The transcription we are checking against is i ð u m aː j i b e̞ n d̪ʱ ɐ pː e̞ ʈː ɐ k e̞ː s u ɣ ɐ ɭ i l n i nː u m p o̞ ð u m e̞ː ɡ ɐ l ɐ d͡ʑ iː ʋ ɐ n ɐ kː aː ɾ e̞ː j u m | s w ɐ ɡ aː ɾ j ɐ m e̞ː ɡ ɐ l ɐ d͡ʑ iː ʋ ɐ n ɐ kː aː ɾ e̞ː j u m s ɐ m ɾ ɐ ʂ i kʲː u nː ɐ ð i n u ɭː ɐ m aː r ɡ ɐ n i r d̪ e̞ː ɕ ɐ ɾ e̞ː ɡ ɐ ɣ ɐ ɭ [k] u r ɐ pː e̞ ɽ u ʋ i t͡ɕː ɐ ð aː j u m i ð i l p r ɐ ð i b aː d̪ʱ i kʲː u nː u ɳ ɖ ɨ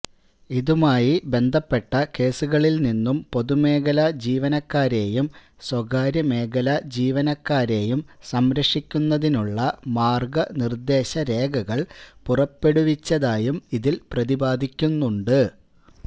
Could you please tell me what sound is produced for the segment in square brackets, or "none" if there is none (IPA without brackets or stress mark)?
p